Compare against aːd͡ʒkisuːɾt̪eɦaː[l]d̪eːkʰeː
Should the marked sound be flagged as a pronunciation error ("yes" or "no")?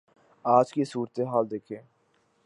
no